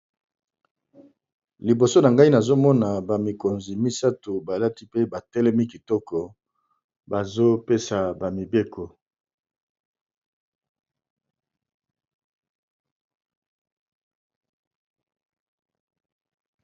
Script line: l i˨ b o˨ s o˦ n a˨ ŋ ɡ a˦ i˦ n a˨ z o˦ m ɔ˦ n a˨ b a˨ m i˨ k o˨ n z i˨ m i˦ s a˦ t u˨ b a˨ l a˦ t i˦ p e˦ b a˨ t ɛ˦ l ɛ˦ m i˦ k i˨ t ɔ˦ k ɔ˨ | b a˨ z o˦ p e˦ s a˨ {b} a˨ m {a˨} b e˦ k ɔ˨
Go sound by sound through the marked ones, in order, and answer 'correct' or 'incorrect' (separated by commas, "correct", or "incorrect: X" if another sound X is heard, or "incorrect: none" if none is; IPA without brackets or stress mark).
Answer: correct, incorrect: i˨